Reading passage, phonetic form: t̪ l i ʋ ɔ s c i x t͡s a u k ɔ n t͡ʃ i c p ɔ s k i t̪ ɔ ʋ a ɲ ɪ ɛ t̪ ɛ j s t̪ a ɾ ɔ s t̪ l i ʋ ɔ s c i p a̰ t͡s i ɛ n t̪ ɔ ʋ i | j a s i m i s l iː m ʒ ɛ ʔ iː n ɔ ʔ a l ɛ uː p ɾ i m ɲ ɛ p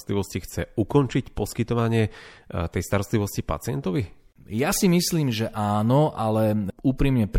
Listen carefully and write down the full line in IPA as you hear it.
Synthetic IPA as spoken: t̪ l i ʋ ɔ s c i x t͡s ɛ u k ɔ n t͡ʃ i c p ɔ s k i t̪ ɔ ʋ a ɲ ɪ ɛ t̪ ɛ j s t̪ a ɾ ɔ s t̪ l i ʋ ɔ s c i p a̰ t͡s ɪ ɛ n t̪ ɔ ʋ i | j a s i m i s l iː m ʒ ɛ ʔ aː n ɔ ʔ a l ɛ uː p ɾ i m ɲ ɛ p